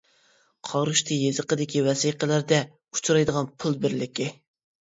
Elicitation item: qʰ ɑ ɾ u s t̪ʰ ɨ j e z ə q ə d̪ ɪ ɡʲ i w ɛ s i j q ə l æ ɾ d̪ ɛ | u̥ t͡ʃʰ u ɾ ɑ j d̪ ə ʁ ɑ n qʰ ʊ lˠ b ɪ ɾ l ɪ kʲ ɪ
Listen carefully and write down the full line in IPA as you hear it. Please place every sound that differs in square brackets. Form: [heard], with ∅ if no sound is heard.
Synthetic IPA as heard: qʰ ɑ ɾ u [ʃ] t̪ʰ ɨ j e z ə q ə d̪ ɪ [kʲ] i w ɛ s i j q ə l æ ɾ d̪ ɛ | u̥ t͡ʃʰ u ɾ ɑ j d̪ ə ʁ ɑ n [pʰ] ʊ lˠ b ɪ ɾ l ɪ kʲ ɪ